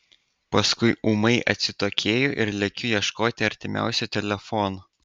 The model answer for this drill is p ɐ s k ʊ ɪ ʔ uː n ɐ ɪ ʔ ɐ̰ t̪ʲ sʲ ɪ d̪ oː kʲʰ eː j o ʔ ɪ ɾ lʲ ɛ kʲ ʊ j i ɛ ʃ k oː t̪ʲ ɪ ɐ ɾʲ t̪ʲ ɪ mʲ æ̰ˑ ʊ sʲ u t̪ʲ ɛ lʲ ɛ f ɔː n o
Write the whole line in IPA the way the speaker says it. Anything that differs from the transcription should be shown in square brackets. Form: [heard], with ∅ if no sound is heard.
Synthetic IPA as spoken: p ɐ s k ʊ ɪ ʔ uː [m] ɐ ɪ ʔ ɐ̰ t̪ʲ sʲ ɪ [t̪] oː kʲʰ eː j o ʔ ɪ ɾ lʲ ɛ kʲ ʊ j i ɛ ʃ k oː t̪ʲ ɪ ɐ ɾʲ t̪ʲ ɪ mʲ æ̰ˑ ʊ sʲ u t̪ʲ ɛ lʲ ɛ f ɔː n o